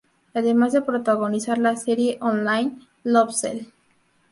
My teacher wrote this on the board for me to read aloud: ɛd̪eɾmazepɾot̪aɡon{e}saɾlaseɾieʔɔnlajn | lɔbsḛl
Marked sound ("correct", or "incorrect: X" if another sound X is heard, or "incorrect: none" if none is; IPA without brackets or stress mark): incorrect: i